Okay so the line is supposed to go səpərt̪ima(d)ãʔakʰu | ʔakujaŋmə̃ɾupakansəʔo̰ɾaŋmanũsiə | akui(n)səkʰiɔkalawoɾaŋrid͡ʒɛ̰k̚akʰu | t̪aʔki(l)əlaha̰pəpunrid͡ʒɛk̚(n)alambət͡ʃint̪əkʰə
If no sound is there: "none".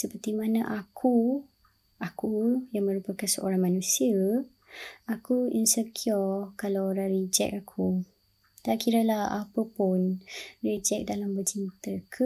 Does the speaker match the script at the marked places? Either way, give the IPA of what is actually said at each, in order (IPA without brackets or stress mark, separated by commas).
n, n, ɾ, d